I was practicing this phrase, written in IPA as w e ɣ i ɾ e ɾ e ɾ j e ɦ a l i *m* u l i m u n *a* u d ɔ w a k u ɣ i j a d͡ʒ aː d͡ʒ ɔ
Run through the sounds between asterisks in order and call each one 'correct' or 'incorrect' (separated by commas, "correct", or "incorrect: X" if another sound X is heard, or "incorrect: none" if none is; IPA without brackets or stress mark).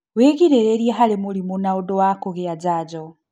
correct, correct